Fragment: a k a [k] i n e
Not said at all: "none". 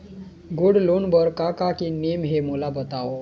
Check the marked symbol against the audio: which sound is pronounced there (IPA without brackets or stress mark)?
k